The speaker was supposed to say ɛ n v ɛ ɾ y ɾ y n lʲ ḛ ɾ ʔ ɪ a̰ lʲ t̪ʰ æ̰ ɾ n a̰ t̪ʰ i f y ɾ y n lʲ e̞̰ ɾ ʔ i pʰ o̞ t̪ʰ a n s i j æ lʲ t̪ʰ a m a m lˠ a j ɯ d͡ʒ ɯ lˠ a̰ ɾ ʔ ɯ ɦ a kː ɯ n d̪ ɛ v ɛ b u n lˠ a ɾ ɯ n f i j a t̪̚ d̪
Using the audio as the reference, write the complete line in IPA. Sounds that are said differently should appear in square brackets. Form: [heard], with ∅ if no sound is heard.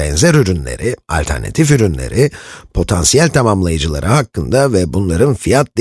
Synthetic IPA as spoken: ɛ n [z] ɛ ɾ y ɾ y n lʲ ḛ ɾ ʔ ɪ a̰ lʲ t̪ʰ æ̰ ɾ n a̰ t̪ʰ i f y ɾ y n lʲ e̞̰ ɾ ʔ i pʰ o̞ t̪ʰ a n s i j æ lʲ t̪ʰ a m a m lˠ a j ɯ d͡ʒ ɯ lˠ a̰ ɾ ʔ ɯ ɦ a kː ɯ n d̪ [a] v ɛ b u n lˠ a ɾ ɯ n f i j a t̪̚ d̪

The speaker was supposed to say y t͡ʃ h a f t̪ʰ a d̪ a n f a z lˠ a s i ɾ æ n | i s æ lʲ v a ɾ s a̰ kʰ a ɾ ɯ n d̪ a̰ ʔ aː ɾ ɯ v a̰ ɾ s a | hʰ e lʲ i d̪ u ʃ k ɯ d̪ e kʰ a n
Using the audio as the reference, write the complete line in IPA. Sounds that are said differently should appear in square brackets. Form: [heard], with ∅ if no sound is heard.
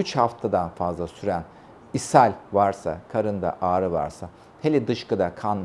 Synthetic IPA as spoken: y t͡ʃ h a f t̪ʰ a d̪ a n f a z lˠ a s [y] ɾ æ n | i s æ lʲ v a ɾ s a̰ kʰ a ɾ ɯ n d̪ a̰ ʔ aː ɾ ɯ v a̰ ɾ s a | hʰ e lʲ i d̪ [ɯ] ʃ k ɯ d̪ [a] kʰ a n

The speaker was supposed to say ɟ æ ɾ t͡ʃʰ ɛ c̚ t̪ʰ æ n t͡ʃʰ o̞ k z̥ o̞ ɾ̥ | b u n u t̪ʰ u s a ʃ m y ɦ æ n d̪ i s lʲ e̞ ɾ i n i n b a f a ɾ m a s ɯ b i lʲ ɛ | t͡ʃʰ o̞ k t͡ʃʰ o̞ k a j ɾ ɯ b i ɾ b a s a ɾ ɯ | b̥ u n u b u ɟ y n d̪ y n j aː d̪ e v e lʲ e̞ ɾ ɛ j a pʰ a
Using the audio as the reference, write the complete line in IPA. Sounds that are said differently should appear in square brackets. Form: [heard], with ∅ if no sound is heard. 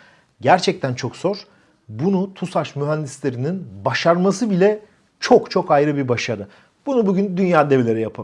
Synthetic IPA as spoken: ɟ æ ɾ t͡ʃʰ ɛ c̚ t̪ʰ æ n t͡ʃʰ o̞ k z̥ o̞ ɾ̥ | b u n u t̪ʰ u s a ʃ m y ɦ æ n d̪ i s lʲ e̞ ɾ i n i n b a [ʃ] a ɾ m a s ɯ b i lʲ ɛ | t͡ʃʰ o̞ k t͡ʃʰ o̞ k a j ɾ ɯ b i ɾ b a [ʃ] a ɾ ɯ | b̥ u n u b u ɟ y n d̪ y n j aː d̪ e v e lʲ e̞ ɾ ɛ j a pʰ a

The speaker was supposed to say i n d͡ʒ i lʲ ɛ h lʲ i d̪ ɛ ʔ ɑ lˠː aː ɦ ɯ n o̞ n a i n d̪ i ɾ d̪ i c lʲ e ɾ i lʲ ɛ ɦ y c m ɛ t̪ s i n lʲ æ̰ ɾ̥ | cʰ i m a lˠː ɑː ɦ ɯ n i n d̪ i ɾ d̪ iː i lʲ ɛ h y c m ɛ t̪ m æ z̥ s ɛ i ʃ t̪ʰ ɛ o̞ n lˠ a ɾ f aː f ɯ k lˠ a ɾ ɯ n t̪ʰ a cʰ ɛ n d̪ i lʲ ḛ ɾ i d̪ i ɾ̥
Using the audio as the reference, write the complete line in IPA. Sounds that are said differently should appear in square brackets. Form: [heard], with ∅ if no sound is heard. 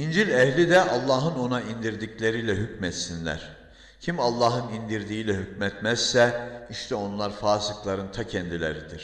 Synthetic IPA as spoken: i n d͡ʒ i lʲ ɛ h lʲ i d̪ ɛ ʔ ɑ lˠː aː ɦ ɯ n o̞ n a i n d̪ i ɾ d̪ i c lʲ e ɾ i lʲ ɛ ɦ y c m ɛ t̪ s i n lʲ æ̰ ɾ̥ | cʰ i m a lˠː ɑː ɦ ɯ n i n d̪ i ɾ d̪ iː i lʲ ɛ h y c m ɛ t̪ m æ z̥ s ɛ i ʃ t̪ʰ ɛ o̞ n lˠ a ɾ f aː [s] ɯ k lˠ a ɾ ɯ n t̪ʰ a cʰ ɛ n d̪ i lʲ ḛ ɾ i d̪ i ɾ̥

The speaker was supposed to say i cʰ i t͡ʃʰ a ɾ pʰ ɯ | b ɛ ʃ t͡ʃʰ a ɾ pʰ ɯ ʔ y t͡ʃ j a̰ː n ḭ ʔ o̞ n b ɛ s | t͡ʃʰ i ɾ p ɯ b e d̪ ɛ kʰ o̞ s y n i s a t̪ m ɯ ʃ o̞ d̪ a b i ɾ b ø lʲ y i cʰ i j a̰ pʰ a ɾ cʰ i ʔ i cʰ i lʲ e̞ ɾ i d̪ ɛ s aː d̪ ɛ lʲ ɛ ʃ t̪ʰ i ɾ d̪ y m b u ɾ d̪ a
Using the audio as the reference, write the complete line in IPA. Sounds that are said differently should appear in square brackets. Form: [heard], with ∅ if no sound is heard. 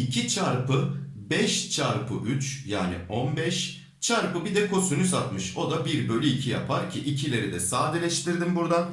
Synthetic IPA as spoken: i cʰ i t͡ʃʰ a ɾ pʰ ɯ | b ɛ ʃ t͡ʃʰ a ɾ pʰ ɯ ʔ y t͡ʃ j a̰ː n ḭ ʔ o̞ n b ɛ [ʃ] | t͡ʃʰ [a] ɾ p ɯ b [i] d̪ ɛ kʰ o̞ s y n [y] s a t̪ m ɯ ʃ o̞ d̪ a b i ɾ b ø lʲ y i cʰ i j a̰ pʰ a ɾ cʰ i ʔ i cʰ i lʲ e̞ ɾ i d̪ ɛ s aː d̪ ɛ lʲ ɛ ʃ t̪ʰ i ɾ d̪ [i] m b u ɾ d̪ a

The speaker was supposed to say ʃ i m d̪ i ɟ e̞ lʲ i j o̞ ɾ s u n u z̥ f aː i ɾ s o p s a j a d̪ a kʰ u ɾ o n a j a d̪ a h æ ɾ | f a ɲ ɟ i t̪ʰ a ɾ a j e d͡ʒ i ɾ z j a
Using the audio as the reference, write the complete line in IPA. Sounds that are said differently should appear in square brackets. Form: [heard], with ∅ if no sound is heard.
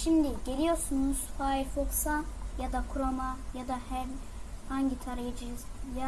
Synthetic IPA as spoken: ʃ i m d̪ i ɟ e̞ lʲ i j o̞ ɾ s u n u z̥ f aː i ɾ [f] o [k] s a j a d̪ a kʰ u ɾ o [m] a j a d̪ a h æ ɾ | [h] a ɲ ɟ i t̪ʰ a ɾ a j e d͡ʒ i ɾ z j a

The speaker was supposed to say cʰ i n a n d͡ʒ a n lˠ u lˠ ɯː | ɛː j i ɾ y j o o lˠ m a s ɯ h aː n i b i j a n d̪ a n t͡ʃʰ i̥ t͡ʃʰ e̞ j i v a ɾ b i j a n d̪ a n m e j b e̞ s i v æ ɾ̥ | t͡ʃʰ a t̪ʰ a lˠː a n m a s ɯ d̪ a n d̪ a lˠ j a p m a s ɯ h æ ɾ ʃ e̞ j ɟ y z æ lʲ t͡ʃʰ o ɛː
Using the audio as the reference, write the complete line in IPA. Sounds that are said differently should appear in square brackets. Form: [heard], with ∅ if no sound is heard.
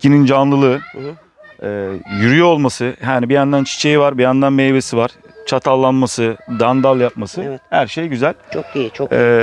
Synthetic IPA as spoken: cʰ i n [i] n d͡ʒ a n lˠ [ɯ] lˠ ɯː | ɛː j [y] ɾ y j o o lˠ m a s ɯ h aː n i b i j a n d̪ a n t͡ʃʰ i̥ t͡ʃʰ e̞ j i v a ɾ b i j a n d̪ a n m e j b e̞ s i v [a] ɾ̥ | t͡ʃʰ a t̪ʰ a lˠː a n m a s ɯ d̪ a n d̪ a lˠ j a p m a s ɯ h æ ɾ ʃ e̞ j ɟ y z æ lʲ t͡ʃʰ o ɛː

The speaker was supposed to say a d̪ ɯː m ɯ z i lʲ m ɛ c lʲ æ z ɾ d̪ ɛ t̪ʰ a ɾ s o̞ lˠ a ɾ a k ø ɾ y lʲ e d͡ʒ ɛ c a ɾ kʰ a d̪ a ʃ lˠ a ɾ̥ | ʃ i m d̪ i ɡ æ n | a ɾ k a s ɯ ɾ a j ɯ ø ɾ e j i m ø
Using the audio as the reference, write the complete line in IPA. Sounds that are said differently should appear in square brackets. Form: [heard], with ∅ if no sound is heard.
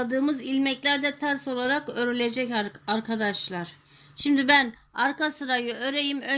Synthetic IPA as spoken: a d̪ ɯː m ɯ z i lʲ m ɛ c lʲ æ [∅] ɾ d̪ ɛ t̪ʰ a ɾ s o̞ lˠ a ɾ a k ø ɾ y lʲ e d͡ʒ ɛ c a ɾ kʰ a d̪ a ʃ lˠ a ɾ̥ | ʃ i m d̪ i [b] æ n | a ɾ k a s ɯ ɾ a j ɯ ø ɾ e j i m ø

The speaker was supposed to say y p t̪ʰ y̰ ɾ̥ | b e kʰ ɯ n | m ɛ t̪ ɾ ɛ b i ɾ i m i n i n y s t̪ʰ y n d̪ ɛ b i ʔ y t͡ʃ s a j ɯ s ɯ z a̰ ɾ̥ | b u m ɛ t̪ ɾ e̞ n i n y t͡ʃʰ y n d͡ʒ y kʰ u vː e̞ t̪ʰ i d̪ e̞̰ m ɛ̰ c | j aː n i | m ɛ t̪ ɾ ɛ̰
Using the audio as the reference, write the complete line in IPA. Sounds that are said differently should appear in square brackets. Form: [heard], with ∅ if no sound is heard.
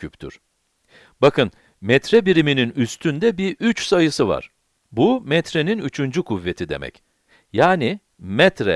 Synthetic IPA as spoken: y p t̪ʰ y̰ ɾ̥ | b [a] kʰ ɯ n | m ɛ t̪ ɾ ɛ b i ɾ i m i n i n y s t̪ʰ y n d̪ ɛ b i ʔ y t͡ʃ s a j ɯ s ɯ [v] a̰ ɾ̥ | b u m ɛ t̪ ɾ e̞ n i n y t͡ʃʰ y n d͡ʒ y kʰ u vː e̞ t̪ʰ i d̪ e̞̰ m ɛ̰ c | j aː n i | m ɛ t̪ ɾ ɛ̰

